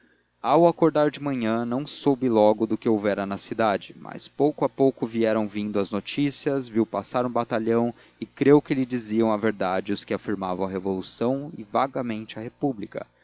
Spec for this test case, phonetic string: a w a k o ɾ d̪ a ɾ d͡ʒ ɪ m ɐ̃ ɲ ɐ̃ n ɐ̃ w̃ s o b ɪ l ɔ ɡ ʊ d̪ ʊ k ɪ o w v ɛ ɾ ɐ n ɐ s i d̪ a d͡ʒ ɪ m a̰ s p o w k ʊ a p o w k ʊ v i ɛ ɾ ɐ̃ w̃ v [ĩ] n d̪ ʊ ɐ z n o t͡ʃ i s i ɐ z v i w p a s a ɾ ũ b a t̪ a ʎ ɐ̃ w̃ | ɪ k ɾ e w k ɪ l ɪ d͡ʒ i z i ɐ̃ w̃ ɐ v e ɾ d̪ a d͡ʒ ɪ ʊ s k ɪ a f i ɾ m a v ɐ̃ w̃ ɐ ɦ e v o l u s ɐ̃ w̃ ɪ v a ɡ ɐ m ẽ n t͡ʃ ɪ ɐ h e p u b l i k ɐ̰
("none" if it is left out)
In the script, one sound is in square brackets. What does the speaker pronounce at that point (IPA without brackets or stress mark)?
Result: ĩ